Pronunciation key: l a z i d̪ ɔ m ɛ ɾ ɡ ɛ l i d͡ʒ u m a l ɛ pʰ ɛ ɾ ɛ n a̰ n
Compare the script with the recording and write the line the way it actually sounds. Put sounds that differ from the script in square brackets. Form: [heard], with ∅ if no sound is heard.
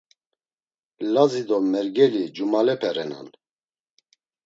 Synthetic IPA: l a z i d̪ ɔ m ɛ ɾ ɡ ɛ l i d͡ʒ u m a l ɛ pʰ ɛ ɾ ɛ n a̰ n